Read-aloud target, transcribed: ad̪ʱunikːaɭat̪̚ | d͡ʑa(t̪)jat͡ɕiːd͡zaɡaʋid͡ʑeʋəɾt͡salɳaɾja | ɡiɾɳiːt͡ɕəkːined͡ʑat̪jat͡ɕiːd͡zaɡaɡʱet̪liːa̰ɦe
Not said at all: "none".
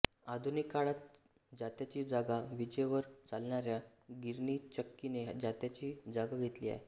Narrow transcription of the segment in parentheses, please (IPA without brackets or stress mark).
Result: t̪